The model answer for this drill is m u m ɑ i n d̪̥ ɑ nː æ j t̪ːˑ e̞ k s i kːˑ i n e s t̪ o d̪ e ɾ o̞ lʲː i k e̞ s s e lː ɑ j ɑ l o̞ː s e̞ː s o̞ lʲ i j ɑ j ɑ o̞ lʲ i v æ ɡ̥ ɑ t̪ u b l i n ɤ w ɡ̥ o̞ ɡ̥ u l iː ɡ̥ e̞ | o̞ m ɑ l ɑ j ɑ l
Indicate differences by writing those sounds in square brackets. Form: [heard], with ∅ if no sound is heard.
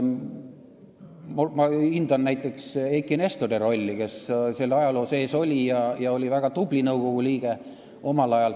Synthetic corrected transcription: m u m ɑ i n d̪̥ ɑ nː æ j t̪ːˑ e̞ k s [e] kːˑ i n e s t̪ o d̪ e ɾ o̞ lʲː i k e̞ s s e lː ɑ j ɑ l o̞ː s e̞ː s o̞ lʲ i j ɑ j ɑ o̞ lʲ i v æ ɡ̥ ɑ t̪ u b l i n ɤ w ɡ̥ o̞ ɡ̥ u l iː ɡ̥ e̞ | o̞ m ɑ l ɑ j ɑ l

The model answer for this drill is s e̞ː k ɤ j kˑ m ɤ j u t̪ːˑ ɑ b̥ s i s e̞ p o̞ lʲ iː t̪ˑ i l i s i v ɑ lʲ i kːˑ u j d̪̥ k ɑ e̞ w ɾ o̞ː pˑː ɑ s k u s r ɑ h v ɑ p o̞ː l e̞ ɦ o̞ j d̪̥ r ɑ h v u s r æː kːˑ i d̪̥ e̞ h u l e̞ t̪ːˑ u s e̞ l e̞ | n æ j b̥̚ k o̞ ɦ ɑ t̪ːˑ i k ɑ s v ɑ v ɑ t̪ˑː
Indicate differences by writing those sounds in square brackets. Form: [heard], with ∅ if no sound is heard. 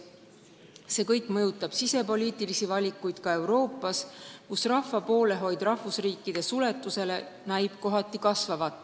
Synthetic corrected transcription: s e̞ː k ɤ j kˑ m ɤ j u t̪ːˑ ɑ b̥ s i s e̞ p o̞ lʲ iː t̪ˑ i l i s i v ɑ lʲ i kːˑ u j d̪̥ k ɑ e̞ w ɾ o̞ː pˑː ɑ s k u s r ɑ h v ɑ p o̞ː l e̞ ɦ o̞ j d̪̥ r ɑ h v u s r [iː] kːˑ i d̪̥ e̞ [s] u l e̞ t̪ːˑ u s e̞ l e̞ | n æ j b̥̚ k o̞ ɦ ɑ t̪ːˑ i k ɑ s v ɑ v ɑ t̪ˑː

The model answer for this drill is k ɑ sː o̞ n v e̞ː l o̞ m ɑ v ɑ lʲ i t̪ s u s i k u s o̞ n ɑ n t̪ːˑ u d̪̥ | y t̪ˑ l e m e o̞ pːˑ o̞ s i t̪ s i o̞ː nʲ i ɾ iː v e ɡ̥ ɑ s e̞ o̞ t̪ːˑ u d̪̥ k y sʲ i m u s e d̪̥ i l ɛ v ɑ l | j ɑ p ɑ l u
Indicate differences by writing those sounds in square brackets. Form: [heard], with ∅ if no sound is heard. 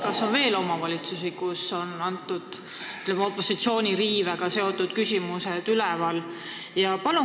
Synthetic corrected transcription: k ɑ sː o̞ n v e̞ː l o̞ m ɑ v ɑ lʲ i t̪ s u s i k u s o̞ n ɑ n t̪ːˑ u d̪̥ | y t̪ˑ l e m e o̞ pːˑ o̞ s i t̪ s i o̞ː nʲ i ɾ iː v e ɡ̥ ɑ s e̞ o̞ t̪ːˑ u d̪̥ k y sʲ i m u s e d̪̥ [y] l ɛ v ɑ l | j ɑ p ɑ l u

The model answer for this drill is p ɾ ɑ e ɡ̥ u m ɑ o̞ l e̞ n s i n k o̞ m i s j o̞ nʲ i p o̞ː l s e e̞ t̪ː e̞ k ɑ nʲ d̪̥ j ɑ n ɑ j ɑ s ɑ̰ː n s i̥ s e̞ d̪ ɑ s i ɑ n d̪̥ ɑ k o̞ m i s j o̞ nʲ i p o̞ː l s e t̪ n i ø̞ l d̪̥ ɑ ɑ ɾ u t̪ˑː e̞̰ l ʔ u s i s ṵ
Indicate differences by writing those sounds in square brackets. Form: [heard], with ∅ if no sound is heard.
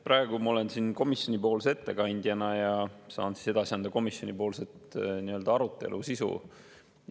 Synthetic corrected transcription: p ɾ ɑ e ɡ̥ u m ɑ o̞ l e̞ n s i n k o̞ m i s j o̞ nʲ i p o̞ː l s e e̞ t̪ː e̞ k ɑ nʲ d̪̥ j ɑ n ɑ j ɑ s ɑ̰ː n s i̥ s e̞ d̪ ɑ s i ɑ n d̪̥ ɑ k o̞ m i s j o̞ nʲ i p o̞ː l s e t̪ n i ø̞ l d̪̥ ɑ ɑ ɾ u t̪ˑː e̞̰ l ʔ u s i s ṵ

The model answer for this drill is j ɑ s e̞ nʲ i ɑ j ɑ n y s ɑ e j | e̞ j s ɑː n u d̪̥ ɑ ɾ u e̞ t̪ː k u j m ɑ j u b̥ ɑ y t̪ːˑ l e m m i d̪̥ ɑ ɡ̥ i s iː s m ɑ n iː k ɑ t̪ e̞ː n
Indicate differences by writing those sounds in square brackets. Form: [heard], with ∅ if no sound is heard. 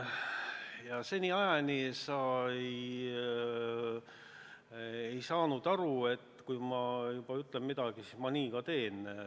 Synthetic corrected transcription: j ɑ s e̞ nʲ i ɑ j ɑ n [i] s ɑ e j | e̞ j s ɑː n u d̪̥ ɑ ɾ u e̞ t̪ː k u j m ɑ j u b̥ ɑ y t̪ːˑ l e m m i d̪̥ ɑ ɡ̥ i s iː s m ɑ n iː k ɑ t̪ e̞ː n

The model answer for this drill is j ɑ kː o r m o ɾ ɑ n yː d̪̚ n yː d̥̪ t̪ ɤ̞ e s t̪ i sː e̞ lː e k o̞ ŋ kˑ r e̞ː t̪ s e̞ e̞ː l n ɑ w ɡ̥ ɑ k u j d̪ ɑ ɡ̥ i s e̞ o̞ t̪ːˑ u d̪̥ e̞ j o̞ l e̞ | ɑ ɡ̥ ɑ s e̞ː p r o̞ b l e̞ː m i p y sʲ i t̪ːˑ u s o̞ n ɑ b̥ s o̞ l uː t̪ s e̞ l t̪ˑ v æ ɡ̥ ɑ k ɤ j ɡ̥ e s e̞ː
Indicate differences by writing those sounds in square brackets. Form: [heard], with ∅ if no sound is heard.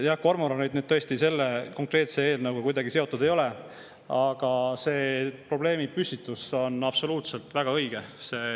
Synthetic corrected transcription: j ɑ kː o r m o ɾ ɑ n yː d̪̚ n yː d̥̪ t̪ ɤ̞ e s t̪ i [s] e̞ lː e k o̞ ŋ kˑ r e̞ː t̪ s e̞ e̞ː l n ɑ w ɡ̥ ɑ k u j d̪ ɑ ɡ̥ i s e̞ o̞ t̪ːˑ u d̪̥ e̞ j o̞ l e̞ | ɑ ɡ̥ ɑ s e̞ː p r o̞ b l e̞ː m i p y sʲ i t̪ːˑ u s o̞ n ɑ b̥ s o̞ l uː t̪ s e̞ l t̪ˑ v æ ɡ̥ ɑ [∅] ɤ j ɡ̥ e s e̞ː

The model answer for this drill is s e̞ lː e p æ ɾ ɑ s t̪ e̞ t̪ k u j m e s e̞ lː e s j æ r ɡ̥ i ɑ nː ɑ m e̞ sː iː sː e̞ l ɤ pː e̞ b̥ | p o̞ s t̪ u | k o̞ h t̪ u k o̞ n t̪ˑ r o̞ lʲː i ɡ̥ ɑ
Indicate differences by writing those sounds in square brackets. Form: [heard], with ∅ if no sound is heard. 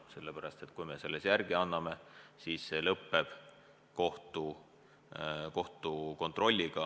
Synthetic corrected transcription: s e̞ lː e p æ ɾ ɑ s t̪ e̞ t̪ k u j m e s e̞ lː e s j æ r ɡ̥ i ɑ nː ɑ m e̞ [s] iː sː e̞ l ɤ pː e̞ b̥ | [k] o̞ [h] t̪ u | k o̞ h t̪ u k o̞ n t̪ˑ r o̞ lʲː i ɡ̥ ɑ

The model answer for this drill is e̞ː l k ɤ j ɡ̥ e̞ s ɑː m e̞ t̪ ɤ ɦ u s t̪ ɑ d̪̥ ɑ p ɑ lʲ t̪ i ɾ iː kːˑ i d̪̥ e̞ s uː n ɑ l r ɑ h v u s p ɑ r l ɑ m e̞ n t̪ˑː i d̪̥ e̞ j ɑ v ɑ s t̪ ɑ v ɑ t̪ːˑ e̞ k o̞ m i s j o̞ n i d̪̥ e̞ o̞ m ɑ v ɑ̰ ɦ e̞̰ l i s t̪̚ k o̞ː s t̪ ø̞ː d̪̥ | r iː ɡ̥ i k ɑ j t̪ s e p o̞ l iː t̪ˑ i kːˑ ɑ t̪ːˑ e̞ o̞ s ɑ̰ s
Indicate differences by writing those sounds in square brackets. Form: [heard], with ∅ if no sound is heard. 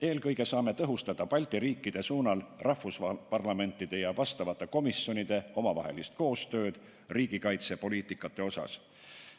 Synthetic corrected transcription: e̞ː l k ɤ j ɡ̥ e̞ s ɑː m e̞ t̪ ɤ ɦ u s t̪ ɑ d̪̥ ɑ p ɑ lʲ t̪ i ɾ iː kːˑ i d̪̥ e̞ s uː n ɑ l r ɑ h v u s p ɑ r l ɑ m e̞ n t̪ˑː i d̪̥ e̞ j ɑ v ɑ s t̪ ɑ v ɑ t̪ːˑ e̞ k o̞ m i s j o̞ n i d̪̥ e̞ o̞ m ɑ v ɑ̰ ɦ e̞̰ l i s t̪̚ k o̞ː s t̪ ø̞ː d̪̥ | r iː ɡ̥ i k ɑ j t̪ s e p o̞ l iː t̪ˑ i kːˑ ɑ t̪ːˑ e̞ o̞ s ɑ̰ s

